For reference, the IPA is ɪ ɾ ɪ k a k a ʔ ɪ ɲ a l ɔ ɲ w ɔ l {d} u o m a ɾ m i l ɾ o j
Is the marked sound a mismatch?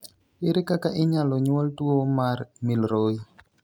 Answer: yes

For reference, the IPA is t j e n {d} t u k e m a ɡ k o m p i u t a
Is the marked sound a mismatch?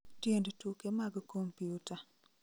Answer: no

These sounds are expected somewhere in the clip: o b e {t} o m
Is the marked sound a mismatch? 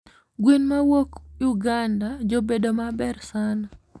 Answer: yes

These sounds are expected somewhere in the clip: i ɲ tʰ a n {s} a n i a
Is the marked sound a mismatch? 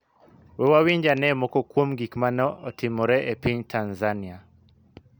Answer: yes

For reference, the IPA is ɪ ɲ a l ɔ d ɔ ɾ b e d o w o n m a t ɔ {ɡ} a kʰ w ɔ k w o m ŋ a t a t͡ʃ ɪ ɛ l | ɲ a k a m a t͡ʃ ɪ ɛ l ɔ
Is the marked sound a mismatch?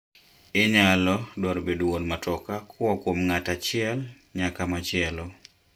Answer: yes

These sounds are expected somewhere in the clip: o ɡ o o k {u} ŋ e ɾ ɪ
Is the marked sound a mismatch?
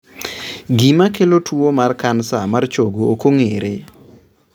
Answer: yes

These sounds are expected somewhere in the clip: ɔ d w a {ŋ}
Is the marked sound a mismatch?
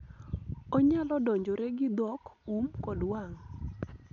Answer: no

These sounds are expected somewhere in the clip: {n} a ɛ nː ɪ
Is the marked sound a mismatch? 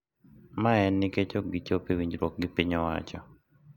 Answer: yes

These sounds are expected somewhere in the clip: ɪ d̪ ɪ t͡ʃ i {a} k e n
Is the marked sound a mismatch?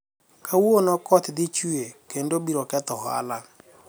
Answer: yes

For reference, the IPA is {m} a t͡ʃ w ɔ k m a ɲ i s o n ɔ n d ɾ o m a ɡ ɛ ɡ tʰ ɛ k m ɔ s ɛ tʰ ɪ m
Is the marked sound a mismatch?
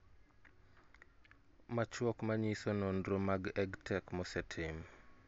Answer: no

